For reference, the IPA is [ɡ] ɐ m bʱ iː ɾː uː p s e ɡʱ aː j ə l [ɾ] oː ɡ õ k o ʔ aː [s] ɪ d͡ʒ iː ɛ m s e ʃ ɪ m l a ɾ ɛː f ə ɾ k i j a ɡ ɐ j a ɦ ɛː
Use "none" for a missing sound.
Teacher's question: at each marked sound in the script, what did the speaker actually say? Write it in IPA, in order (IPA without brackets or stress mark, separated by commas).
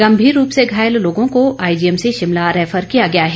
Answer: ɡ, l, none